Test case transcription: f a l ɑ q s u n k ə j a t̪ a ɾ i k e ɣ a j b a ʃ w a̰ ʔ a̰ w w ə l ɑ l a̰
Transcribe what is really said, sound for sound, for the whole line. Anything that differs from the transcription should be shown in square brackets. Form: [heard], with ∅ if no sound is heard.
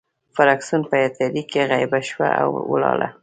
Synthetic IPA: f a [ɾ] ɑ [k] s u n [p] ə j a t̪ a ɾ i k e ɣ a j b a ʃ w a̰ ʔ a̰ w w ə l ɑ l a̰